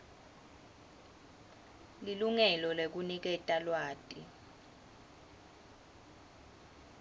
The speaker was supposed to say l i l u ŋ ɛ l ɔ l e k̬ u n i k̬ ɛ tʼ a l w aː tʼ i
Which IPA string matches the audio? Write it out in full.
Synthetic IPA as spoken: l i l u ŋ ɛ l ɔ l e k̬ u n i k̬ ɛ tʼ a l w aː tʼ i